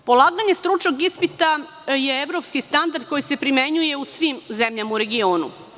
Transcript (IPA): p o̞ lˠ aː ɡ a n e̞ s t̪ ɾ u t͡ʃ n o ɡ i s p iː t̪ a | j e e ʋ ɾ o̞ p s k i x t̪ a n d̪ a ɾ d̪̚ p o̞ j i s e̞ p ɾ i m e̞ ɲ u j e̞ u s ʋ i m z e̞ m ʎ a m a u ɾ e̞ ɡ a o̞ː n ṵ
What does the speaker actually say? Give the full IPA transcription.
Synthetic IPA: p o̞ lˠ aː ɡ a ɲ e̞ s t̪ ɾ u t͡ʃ n o ɡ i s p i t̪ a | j e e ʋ ɾ o̞ p s k i s t̪ a n d̪ a ɾ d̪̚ k o̞ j i s e̞ p ɾ i m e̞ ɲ u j e̞ u s ʋ i m z e̞ m ʎ a m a u ɾ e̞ ɡ i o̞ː n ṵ